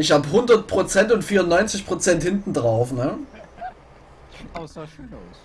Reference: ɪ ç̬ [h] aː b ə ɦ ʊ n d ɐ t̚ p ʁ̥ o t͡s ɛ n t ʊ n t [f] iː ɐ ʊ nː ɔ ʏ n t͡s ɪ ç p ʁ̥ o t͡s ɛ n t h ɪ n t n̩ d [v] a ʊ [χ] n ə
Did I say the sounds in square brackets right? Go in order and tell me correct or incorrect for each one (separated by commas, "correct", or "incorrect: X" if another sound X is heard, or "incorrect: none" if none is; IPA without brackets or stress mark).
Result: correct, correct, incorrect: ʁ, incorrect: f